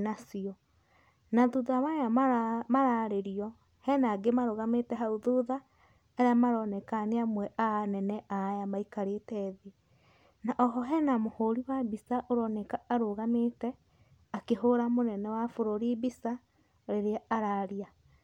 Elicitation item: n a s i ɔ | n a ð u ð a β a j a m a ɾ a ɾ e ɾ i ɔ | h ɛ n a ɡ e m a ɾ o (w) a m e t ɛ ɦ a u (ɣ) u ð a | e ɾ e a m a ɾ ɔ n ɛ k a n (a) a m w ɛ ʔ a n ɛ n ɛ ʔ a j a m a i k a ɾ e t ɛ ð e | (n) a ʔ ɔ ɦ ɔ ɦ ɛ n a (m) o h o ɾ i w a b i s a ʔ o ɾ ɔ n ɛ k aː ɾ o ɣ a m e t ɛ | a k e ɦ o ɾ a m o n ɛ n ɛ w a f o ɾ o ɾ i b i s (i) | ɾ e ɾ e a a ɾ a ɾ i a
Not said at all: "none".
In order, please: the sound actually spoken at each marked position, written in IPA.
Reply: ɣ, ð, e, n, m, a

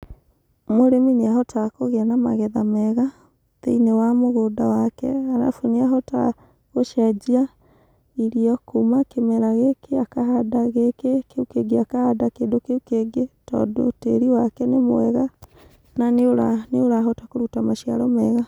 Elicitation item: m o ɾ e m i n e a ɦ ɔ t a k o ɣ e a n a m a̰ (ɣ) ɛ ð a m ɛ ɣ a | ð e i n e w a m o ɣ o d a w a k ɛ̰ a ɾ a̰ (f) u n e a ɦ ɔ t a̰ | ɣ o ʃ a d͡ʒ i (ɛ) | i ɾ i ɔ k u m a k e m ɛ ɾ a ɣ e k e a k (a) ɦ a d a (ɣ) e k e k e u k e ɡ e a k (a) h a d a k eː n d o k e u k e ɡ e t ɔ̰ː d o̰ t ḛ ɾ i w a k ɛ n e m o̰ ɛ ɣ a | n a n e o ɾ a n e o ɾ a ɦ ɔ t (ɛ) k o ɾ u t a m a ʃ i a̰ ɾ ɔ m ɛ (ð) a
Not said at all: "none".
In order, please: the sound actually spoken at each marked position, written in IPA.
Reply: ɣ, f, a, a, ɣ, a, a, ɣ

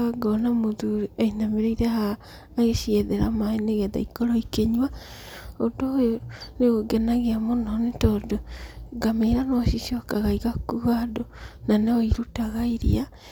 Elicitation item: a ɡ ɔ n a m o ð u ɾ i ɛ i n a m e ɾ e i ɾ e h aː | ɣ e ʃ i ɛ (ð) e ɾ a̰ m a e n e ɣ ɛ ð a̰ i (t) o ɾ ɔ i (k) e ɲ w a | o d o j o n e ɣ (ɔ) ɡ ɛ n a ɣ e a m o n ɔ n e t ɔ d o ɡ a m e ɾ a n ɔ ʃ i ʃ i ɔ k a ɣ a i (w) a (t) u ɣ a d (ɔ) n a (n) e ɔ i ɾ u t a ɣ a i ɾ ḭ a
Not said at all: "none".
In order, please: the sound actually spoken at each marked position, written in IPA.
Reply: ð, k, k, o, ɣ, k, o, n

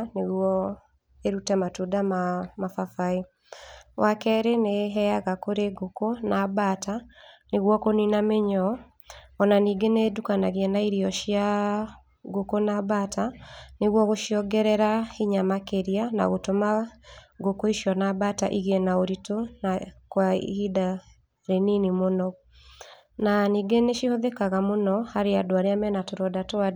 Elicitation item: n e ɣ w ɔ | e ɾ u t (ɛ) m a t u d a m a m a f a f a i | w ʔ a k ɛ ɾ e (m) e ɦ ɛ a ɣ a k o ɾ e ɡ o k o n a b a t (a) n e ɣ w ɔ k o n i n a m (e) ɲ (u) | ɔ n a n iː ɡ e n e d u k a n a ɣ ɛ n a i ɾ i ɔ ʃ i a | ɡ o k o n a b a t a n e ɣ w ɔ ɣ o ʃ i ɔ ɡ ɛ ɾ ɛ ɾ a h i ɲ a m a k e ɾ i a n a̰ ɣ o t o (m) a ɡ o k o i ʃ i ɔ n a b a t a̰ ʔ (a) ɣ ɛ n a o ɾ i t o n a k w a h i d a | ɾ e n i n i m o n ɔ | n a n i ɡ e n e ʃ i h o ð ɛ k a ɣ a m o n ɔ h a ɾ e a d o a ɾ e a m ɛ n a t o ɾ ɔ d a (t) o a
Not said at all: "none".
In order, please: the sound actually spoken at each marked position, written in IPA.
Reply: ɛ, n, a, e, ɔ, m, i, t

